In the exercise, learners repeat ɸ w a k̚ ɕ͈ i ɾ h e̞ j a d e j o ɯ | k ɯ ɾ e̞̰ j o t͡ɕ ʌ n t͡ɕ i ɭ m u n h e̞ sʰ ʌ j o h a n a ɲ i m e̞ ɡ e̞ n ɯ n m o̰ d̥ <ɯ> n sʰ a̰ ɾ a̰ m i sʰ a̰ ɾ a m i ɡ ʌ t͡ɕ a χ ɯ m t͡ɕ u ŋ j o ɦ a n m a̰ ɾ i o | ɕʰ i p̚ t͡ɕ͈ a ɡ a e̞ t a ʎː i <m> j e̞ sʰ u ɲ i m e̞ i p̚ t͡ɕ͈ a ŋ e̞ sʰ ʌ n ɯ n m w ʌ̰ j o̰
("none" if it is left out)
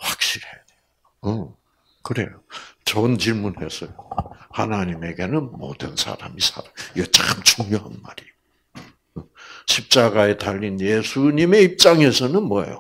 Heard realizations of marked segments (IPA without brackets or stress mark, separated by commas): ɯ, n